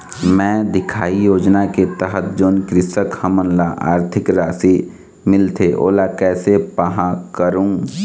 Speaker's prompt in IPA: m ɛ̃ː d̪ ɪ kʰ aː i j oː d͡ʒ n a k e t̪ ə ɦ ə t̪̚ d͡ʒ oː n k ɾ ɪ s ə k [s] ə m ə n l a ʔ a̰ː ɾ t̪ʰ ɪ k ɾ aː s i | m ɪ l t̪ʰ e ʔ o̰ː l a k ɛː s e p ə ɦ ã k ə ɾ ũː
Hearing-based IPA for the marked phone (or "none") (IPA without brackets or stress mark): h